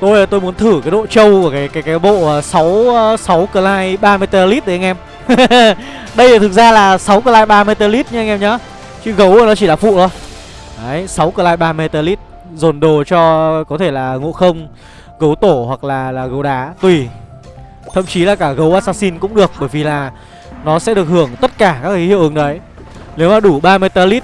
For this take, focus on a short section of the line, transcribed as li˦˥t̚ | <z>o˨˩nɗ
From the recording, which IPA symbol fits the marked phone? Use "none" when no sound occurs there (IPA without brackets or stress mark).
z